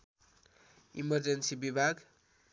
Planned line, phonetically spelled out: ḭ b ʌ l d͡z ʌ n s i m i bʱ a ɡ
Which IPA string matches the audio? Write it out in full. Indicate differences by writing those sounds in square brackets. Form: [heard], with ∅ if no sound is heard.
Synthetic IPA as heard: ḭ [m] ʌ [r] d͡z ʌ n s i [b] i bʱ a ɡ